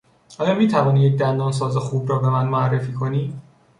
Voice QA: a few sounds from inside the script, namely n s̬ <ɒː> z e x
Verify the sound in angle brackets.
correct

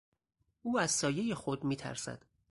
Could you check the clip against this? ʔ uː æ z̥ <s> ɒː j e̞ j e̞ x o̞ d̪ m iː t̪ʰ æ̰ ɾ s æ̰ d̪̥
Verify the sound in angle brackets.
correct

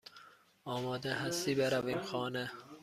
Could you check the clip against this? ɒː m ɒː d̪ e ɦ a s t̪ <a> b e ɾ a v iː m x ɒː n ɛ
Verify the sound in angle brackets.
incorrect: i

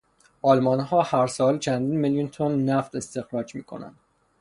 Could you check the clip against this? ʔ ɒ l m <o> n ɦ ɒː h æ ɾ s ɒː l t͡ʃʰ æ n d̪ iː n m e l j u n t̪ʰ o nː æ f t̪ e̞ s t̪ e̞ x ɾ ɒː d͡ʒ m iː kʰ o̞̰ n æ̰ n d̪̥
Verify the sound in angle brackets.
incorrect: ɒ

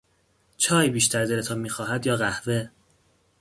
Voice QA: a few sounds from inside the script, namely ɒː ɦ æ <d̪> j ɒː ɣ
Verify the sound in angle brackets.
correct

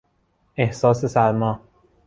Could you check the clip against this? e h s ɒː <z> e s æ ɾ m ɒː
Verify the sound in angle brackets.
incorrect: s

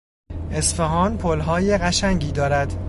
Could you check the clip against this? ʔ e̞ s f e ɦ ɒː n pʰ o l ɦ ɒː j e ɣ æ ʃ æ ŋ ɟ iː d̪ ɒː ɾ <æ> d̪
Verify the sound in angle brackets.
correct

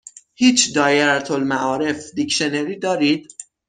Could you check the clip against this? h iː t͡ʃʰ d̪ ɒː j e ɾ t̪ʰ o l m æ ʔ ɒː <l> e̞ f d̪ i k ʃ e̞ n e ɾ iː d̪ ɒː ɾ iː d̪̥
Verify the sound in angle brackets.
incorrect: ɾ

